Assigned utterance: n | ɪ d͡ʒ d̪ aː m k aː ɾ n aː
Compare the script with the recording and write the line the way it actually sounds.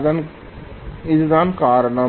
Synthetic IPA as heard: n | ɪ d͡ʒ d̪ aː n k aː ɾ n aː